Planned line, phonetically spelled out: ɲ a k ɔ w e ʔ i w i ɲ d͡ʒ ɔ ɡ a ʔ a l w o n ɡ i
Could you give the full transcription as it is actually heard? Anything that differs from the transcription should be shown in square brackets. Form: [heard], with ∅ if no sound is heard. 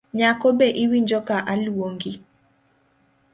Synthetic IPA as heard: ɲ a k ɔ [b] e ʔ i w i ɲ d͡ʒ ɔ [k] a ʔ a l w o [ŋ] ɡ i